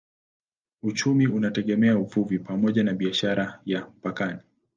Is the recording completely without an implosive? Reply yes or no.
no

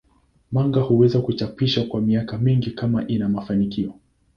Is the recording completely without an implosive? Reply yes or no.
yes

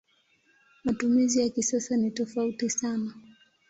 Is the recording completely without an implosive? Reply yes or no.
yes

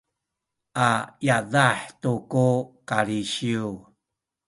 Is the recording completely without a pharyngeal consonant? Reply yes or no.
no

